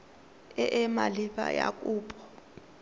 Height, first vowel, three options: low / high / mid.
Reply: mid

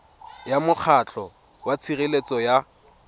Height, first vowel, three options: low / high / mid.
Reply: low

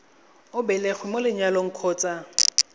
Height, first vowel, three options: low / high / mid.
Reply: high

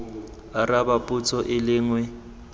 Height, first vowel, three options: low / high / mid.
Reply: low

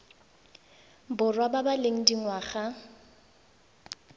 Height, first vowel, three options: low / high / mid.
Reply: high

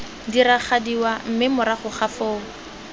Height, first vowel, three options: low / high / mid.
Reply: high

